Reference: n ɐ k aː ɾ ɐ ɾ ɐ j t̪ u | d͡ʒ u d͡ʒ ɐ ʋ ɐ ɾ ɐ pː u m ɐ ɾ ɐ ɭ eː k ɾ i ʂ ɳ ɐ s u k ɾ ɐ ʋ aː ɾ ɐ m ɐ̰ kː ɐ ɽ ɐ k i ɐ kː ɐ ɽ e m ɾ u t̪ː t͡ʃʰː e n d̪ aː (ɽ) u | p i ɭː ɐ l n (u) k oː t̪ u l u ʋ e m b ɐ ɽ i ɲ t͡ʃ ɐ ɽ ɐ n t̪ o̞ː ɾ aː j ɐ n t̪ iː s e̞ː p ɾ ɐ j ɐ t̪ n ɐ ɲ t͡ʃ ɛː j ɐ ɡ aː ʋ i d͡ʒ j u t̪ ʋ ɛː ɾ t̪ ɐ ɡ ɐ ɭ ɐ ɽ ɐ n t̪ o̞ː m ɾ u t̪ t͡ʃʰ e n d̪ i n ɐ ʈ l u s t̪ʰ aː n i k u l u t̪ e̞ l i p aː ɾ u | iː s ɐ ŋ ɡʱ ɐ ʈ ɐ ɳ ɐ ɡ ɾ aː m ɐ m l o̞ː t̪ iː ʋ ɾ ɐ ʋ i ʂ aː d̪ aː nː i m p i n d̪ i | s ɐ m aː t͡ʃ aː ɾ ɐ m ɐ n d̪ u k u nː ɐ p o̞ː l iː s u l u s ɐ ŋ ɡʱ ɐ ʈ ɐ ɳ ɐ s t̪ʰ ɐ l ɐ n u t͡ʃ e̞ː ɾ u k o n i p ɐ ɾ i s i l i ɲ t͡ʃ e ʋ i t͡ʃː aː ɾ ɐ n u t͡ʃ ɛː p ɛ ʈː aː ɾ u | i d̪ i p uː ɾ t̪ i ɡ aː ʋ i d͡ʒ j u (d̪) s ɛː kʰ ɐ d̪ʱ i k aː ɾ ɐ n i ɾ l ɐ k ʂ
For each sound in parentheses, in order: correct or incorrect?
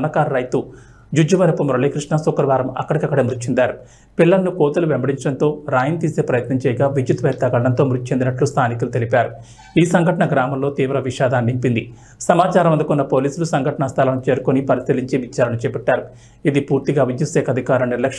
incorrect, correct, incorrect

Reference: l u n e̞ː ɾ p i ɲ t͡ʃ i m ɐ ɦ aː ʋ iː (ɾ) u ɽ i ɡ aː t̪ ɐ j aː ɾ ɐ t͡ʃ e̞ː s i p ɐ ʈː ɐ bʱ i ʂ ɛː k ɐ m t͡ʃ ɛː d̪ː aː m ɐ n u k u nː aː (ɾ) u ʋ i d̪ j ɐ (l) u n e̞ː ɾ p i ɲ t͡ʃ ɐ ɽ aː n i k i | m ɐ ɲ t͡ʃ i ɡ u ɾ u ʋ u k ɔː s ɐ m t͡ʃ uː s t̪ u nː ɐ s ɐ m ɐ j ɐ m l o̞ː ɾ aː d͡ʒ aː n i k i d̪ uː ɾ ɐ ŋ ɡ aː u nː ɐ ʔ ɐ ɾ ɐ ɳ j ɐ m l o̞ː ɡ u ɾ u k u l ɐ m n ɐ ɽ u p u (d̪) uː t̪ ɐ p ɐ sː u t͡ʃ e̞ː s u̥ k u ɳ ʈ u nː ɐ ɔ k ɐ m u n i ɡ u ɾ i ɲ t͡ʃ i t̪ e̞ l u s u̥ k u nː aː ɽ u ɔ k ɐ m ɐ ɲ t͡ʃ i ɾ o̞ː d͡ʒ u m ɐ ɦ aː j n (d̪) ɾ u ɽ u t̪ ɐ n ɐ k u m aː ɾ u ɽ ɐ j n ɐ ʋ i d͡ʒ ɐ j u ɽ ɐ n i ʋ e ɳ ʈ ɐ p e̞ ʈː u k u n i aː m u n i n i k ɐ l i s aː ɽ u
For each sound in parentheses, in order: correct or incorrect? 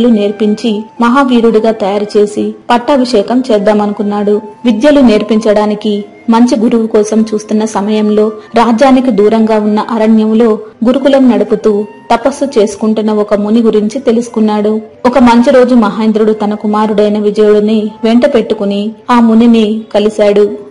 correct, incorrect, correct, incorrect, correct

